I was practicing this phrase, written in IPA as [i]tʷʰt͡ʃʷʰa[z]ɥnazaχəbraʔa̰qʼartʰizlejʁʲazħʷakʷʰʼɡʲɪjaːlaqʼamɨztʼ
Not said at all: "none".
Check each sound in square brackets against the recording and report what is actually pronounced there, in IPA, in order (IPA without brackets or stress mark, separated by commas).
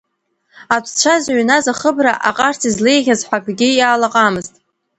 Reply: a, z